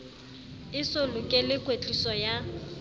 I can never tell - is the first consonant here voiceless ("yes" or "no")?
yes